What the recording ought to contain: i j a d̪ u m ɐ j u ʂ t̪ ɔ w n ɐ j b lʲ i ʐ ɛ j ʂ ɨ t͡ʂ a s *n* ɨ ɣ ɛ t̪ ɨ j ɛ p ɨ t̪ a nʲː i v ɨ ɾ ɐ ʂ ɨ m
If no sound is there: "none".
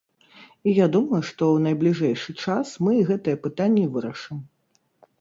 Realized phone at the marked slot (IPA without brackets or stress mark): m